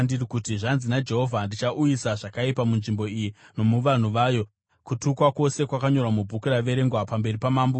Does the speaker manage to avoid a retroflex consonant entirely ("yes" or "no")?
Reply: no